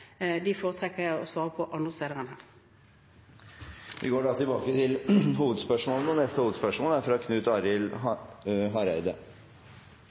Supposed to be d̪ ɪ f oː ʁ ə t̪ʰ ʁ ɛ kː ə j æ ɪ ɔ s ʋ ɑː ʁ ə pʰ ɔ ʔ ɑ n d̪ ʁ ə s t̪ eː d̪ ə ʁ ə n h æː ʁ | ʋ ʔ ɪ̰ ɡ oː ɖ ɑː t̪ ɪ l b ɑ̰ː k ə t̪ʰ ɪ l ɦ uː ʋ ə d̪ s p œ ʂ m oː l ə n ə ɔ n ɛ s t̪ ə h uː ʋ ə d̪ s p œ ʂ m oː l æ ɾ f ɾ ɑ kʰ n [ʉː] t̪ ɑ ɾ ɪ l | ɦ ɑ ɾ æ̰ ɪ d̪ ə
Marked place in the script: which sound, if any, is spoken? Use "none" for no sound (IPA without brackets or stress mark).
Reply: ʉː